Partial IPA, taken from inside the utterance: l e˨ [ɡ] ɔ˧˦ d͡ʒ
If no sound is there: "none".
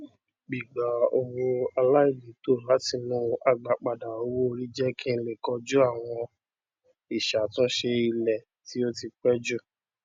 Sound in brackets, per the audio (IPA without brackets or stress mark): k